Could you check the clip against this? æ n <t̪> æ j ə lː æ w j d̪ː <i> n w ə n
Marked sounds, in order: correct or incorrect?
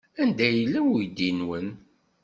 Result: incorrect: d̪, correct

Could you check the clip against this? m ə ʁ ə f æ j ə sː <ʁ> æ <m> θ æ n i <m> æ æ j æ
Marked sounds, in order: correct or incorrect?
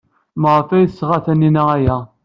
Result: correct, incorrect: none, incorrect: n

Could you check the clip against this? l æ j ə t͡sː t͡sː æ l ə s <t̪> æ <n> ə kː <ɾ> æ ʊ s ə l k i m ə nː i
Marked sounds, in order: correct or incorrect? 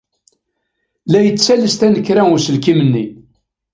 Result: correct, correct, correct

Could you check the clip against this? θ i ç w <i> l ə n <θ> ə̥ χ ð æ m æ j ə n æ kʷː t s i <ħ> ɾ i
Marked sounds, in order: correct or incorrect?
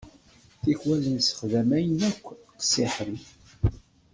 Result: incorrect: æ, incorrect: s, correct

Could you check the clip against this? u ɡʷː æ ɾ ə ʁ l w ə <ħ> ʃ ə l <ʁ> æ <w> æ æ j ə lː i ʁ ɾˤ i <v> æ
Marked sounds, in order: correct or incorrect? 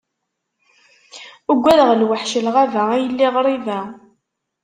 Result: correct, correct, incorrect: v, correct

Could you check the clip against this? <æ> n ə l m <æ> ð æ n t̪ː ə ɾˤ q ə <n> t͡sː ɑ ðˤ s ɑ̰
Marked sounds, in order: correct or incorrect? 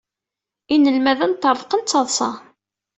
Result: incorrect: i, correct, correct

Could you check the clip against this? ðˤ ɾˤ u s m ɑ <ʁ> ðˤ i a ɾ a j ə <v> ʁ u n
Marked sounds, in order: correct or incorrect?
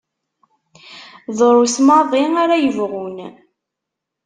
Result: incorrect: none, correct

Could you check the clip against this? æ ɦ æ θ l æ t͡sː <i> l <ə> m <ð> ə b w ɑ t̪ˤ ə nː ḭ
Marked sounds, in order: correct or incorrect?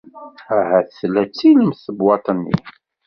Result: correct, correct, incorrect: θ

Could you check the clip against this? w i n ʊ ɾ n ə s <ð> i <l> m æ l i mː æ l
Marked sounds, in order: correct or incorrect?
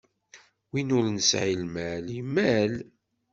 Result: incorrect: ʕ, correct

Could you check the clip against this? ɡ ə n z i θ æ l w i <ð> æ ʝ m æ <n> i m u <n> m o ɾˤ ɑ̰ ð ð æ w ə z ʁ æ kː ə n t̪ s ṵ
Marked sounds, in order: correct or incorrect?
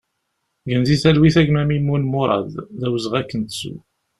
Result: incorrect: θ, incorrect: m, correct

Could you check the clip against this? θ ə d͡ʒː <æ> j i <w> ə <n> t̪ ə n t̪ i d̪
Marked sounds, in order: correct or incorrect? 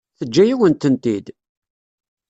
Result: correct, correct, correct

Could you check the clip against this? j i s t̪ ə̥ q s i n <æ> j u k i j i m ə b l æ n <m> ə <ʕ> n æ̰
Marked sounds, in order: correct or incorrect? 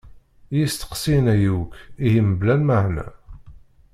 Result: correct, correct, correct

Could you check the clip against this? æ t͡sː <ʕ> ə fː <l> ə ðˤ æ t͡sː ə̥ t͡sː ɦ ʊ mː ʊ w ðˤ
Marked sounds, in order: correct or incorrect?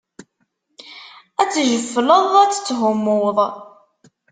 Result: incorrect: ʒ, correct

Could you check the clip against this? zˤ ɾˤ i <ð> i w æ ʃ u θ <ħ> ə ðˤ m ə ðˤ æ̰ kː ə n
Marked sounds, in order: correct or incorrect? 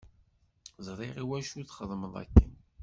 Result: incorrect: ʁ, incorrect: χ

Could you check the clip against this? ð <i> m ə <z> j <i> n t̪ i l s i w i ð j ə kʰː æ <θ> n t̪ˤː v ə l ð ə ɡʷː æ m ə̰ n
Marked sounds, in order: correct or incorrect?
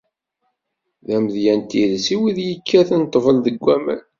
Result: incorrect: æ, incorrect: ð, incorrect: æ, correct

